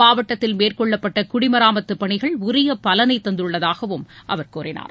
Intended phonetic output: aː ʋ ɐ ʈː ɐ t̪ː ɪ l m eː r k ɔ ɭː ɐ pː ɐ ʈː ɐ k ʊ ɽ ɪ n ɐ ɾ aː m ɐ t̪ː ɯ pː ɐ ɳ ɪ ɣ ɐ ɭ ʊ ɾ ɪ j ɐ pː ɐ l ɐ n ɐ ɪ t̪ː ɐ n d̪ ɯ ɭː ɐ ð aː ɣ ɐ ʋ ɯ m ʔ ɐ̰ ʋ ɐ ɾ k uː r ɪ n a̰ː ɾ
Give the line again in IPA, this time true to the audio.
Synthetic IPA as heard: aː ʋ ɐ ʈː ɐ t̪ː ɪ l m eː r k ɔ ɭː ɐ pː ɐ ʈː ɐ k ʊ ɽ ɪ m ɐ ɾ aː m ɐ t̪ː ɯ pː ɐ ɳ ɪ ɣ ɐ ɭ ʊ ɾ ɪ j ɐ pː ɐ l ɐ n ɐ ɪ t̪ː ɐ n d̪ ɯ ɭː ɐ ð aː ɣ ɐ ʋ ɯ m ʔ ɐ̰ ʋ ɐ ɾ k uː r ɪ n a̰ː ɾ

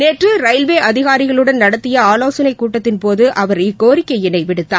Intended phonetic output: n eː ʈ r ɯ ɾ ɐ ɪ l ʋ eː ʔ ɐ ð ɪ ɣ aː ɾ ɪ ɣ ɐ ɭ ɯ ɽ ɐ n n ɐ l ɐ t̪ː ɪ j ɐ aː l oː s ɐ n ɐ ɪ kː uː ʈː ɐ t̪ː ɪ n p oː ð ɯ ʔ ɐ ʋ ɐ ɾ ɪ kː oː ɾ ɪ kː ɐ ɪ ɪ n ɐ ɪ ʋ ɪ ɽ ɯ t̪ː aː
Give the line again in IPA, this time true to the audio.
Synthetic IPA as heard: n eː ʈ r ɯ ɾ ɐ ɪ l ʋ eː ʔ ɐ ð ɪ ɣ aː ɾ ɪ ɣ ɐ ɭ ɯ ɽ ɐ n n ɐ ɽ ɐ t̪ː ɪ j ɐ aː l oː s ɐ n ɐ ɪ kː uː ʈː ɐ t̪ː ɪ n p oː ð ɯ ʔ ɐ ʋ ɐ ɾ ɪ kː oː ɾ ɪ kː ɐ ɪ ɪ n ɐ ɪ ʋ ɪ ɽ ɯ t̪ː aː

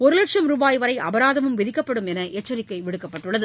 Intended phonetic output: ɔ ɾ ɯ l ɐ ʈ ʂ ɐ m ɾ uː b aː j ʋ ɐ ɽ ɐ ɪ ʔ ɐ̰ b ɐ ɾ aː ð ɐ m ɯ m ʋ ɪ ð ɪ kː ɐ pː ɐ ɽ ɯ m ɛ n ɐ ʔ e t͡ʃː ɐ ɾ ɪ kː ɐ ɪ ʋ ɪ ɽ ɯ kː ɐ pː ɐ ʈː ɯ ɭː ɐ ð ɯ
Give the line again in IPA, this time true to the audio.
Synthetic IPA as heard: ɔ ɾ ɯ l ɐ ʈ ʂ ɐ m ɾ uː b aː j ʋ ɐ ɾ ɐ ɪ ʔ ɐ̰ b ɐ ɾ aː ð ɐ m ɯ m ʋ ɪ ð ɪ kː ɐ pː ɐ ɽ ɯ m ɛ n ɐ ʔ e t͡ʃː ɐ ɾ ɪ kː ɐ ɪ ʋ ɪ ɽ ɯ kː ɐ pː ɐ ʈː ɯ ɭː ɐ ð ɯ

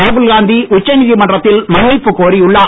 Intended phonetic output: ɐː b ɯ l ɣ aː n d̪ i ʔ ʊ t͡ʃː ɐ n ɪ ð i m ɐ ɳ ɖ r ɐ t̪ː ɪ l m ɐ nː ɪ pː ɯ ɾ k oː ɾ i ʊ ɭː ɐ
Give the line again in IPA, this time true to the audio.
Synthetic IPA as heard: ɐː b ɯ l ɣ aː n d̪ i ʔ ʊ t͡ʃː ɐ n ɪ ð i m ɐ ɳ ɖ r ɐ t̪ː ɪ l m ɐ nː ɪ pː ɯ k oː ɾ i ʊ ɭː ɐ

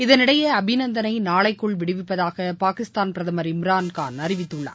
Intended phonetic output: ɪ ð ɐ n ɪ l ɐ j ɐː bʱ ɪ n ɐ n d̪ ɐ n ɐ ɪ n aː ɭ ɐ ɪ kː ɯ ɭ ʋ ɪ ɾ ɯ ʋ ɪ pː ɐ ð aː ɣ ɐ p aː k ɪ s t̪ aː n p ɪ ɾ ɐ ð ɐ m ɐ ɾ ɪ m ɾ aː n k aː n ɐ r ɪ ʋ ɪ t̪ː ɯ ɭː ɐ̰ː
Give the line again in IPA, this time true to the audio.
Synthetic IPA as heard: ɪ ð ɐ n ɪ ɽ ɐ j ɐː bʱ ɪ n ɐ n d̪ ɐ n ɐ ɪ n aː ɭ ɐ ɪ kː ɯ ɭ ʋ ɪ ɽ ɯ ʋ ɪ pː ɐ ð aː ɣ ɐ p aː k ɪ s t̪ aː n p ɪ ɾ ɐ ð ɐ m ɐ ɾ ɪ m ɾ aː n k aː n ɐ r ɪ ʋ ɪ t̪ː ɯ ɭː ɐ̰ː

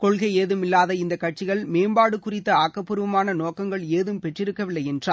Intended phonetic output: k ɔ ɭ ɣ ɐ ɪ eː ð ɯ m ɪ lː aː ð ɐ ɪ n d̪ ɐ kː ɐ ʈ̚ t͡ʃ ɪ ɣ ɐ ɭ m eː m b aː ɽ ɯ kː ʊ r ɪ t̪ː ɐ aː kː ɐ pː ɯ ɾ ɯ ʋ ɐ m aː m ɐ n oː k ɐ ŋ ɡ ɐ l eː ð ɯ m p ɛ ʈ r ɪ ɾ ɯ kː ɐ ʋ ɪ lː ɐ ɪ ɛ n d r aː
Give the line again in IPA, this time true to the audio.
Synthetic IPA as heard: k ɔ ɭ ɣ ɐ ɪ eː ð ɯ m ɪ lː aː ð ɐ ɪ n d̪ ɐ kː ɐ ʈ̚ t͡ʃ ɪ ɣ ɐ ɭ m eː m b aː ɽ ɯ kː ʊ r ɪ t̪ː ɐ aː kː ɐ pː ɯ ɾ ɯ ʋ ɐ m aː n ɐ n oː k ɐ ŋ ɡ ɐ ɭ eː ð ɯ m p ɛ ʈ r ɪ ɾ ɯ kː ɐ ʋ ɪ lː ɐ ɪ ɛ n d r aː

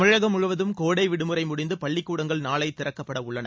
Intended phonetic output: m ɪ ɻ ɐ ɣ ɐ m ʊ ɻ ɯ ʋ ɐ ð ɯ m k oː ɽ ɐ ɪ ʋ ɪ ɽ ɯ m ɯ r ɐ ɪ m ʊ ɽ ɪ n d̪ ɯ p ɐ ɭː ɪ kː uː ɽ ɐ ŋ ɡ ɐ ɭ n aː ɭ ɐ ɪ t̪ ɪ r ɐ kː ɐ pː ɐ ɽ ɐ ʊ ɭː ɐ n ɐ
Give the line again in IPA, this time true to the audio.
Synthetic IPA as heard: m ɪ ɻ ɐ ɣ ɐ m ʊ ɻ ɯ ʋ ɐ ð ɯ m k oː ɽ ɐ ɪ ʋ ɪ ɽ ɯ m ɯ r ɐ ɪ m ʊ ɽ ɪ n d̪ ɯ p ɐ ɭː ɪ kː uː ɽ ɐ ŋ ɡ ɐ ɭ n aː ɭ ɐ ɪ t̪ ɪ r ɐ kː ɐ pː ɐ ɽ ɐ ʊ ɭː ɐ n ɐ

